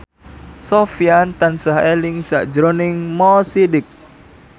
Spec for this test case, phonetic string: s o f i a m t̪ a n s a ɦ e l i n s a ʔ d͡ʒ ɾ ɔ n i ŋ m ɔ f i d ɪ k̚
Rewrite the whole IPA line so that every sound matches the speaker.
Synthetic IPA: s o f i a n t̪ a n s a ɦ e l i ŋ s a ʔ d͡ʒ ɾ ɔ n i ŋ m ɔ s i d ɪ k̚